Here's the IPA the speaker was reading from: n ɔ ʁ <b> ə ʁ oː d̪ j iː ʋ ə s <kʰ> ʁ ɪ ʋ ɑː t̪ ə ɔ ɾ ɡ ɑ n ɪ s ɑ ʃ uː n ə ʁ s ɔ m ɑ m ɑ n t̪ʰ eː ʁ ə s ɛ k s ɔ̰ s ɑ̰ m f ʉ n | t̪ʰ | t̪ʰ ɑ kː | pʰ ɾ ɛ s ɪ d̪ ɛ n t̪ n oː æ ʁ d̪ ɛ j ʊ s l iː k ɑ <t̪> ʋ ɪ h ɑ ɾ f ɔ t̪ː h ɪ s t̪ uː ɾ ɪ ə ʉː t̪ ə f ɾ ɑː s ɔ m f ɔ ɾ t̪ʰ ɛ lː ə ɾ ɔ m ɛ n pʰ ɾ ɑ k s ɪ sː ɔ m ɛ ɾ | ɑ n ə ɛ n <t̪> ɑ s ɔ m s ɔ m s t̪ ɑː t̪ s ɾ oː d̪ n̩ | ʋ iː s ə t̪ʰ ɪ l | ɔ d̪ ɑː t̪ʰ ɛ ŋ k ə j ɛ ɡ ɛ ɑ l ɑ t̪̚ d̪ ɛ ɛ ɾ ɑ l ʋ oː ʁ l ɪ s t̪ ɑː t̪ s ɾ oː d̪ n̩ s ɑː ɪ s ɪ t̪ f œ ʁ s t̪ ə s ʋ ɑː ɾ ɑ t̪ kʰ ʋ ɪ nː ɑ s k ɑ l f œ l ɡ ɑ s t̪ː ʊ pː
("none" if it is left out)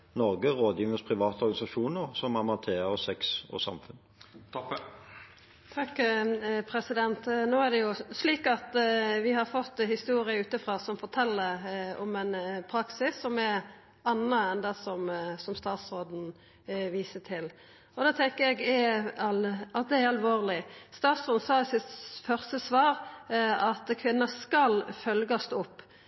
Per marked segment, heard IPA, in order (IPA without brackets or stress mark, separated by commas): ɡ, pʰ, t̪, d̪